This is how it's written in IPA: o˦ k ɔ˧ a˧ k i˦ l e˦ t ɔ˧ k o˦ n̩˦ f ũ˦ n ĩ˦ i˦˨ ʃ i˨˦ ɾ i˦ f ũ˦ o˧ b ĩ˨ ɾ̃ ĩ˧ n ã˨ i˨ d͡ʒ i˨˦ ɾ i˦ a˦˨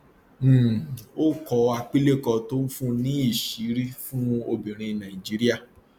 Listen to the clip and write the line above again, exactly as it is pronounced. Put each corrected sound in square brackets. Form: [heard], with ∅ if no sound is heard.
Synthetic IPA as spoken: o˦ k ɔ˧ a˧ [k͡p] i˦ l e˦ [k] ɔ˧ [t] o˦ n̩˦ f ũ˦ n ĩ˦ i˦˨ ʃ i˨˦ ɾ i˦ f ũ˦ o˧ b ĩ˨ ɾ̃ ĩ˧ n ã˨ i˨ d͡ʒ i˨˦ ɾ i˦ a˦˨